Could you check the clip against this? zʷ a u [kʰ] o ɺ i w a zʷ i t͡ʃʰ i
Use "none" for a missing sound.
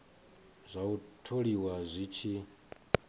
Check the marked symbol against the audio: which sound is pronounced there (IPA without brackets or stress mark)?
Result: tʰ